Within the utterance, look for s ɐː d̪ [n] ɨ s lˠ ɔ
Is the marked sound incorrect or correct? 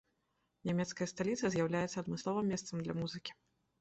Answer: incorrect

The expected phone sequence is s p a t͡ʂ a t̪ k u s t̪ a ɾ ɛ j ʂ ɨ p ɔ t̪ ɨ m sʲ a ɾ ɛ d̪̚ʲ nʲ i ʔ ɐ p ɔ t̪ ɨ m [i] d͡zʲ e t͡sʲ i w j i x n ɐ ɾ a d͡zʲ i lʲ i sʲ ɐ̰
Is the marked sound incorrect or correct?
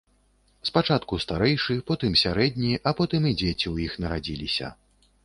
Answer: correct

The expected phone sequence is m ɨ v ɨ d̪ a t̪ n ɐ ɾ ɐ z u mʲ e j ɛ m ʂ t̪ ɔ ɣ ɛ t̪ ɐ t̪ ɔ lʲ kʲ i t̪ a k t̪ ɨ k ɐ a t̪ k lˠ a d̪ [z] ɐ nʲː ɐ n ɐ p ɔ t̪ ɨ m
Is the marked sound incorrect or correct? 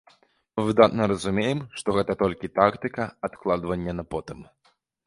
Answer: incorrect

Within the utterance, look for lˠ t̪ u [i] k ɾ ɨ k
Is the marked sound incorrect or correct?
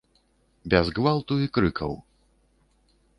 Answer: correct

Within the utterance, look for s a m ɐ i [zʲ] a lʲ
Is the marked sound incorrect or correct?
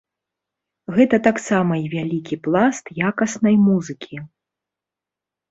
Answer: incorrect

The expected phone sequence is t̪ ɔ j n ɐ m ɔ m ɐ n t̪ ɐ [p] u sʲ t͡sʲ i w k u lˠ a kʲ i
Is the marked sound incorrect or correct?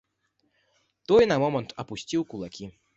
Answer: correct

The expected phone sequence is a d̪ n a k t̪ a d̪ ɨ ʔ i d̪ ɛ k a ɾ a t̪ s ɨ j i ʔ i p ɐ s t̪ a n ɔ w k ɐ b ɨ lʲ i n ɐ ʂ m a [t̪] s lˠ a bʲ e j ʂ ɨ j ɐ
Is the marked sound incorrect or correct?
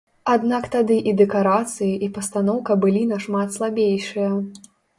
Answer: correct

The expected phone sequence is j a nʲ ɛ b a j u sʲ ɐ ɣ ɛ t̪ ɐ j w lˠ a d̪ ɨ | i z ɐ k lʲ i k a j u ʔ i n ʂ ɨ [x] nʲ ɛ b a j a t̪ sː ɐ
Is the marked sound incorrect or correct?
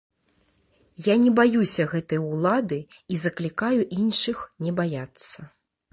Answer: correct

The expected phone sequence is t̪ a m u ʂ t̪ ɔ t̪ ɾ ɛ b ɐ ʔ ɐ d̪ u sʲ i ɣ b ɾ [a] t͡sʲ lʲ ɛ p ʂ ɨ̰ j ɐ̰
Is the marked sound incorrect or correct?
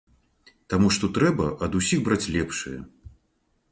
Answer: correct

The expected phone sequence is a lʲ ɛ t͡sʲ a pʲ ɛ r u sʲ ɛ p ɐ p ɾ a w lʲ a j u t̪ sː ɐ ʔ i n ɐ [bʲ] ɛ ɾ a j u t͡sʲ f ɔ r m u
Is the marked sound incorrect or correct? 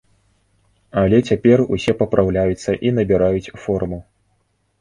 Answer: correct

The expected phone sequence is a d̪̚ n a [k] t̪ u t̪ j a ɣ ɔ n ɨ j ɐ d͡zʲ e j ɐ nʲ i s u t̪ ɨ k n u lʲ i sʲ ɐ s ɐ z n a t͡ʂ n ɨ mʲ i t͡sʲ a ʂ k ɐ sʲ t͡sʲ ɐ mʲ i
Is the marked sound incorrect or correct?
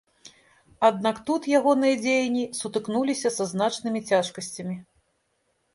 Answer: correct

